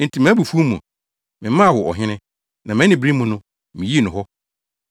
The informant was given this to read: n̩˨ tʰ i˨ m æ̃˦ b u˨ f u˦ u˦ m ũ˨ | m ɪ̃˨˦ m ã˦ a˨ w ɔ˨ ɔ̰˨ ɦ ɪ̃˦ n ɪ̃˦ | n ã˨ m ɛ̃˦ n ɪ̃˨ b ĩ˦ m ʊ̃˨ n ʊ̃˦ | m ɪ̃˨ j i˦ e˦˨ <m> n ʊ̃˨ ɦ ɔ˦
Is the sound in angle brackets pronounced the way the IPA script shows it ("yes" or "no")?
no